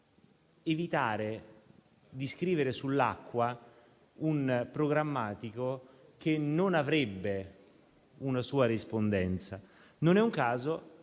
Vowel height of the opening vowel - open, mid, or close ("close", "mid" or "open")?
mid